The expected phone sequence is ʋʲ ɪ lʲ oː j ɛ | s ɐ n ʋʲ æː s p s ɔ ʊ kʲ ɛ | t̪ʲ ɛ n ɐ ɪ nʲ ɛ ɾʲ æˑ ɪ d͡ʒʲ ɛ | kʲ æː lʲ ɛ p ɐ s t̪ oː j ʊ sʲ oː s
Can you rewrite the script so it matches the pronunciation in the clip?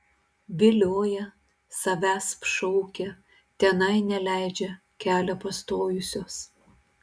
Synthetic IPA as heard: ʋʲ ɪ lʲ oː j ɛ | s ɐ ʋʲ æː s p ʃ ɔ ʊ kʲ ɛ | t̪ʲ ɛ n ɐ ɪ nʲ ɛ lʲ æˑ ɪ d͡ʒʲ ɛ | kʲ æː lʲ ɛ p ɐ s t̪ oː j ʊ sʲ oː s